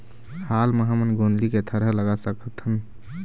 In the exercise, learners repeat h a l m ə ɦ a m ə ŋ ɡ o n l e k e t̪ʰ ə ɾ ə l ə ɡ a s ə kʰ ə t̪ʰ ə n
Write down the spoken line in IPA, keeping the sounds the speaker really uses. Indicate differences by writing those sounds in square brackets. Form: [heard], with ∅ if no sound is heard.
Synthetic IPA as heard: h a l m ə ɦ a m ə [n] ɡ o n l [i] k e t̪ʰ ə ɾ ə l ə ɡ a s ə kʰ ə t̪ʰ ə n